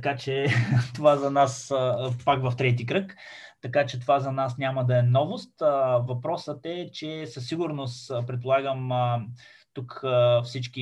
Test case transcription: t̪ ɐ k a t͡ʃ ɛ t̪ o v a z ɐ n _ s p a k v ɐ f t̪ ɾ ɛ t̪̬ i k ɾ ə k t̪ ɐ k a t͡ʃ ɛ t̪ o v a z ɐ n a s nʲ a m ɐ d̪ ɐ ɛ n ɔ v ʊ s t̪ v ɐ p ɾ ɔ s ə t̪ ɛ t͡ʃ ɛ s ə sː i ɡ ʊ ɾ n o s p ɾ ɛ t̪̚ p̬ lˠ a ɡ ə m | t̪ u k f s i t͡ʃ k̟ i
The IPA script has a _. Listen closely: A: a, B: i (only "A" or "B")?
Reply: A